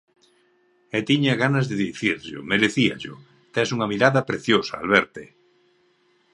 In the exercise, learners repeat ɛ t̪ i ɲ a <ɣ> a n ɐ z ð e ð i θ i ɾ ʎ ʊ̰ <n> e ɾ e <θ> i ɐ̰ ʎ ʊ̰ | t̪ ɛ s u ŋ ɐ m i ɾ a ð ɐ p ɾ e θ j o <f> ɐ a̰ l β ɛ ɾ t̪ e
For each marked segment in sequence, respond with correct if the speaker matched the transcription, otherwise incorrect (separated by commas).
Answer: correct, incorrect, correct, incorrect